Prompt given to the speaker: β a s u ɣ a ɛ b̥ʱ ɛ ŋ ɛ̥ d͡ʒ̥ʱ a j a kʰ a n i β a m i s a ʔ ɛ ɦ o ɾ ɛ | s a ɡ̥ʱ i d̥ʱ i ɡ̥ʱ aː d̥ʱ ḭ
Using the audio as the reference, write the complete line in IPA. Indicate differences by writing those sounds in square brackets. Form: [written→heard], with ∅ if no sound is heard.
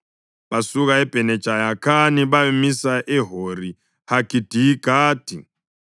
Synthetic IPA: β a s u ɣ a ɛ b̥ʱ ɛ [ŋ→n] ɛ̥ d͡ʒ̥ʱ a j a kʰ a n i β a m i s a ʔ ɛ ɦ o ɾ [ɛ→i] | [s→h] a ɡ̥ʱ i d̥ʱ i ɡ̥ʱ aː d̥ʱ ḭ